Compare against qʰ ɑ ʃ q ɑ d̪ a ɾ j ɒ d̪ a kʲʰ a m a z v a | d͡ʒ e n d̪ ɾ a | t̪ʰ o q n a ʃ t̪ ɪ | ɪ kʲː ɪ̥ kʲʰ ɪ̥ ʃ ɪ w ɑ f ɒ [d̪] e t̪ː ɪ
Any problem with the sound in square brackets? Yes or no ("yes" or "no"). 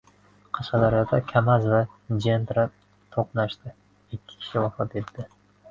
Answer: yes